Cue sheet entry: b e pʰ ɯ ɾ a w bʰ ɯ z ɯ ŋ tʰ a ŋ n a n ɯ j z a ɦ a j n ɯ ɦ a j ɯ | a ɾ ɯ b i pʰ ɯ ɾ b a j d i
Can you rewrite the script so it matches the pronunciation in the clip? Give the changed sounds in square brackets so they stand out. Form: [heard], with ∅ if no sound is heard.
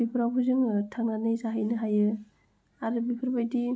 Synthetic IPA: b [i] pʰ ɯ ɾ a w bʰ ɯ z ɯ ŋ tʰ a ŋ n a n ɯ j z a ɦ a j n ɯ ɦ a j ɯ | a ɾ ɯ b i pʰ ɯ ɾ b a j d i